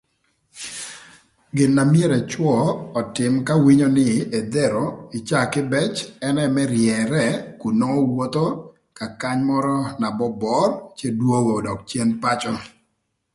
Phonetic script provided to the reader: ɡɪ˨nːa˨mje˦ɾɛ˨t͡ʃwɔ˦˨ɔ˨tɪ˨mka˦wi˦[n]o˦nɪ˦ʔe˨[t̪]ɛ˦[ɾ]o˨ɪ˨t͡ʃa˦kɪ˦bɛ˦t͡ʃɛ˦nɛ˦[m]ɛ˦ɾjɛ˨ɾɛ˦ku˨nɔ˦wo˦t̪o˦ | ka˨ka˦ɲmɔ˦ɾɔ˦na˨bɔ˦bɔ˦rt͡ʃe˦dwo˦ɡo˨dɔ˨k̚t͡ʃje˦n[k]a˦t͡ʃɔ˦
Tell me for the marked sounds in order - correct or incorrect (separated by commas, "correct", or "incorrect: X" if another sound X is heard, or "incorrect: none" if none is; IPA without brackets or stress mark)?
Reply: incorrect: ɲ, incorrect: d̪, correct, correct, incorrect: p